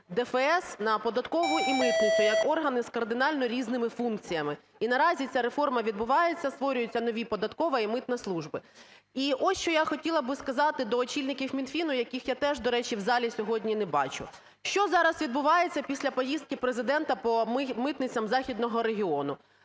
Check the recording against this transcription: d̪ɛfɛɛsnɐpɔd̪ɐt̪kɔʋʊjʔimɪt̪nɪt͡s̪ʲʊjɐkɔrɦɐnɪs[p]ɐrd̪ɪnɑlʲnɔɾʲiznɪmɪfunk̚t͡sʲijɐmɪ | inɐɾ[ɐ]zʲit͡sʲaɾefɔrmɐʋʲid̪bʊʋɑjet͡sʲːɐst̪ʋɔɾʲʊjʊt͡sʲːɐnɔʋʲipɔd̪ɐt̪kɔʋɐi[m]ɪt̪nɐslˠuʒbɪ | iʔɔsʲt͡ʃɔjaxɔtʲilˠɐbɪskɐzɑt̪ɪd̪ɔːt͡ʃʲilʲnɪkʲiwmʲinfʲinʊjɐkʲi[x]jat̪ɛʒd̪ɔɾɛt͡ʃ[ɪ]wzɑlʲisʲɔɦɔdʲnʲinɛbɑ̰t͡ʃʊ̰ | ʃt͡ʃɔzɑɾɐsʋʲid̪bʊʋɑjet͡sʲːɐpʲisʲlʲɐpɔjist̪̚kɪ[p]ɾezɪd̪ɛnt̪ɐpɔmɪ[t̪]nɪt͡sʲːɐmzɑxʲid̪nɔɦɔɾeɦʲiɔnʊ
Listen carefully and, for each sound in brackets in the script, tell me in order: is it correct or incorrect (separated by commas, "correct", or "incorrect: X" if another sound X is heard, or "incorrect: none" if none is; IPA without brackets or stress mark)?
incorrect: k, incorrect: ɑ, correct, correct, incorrect: i, correct, correct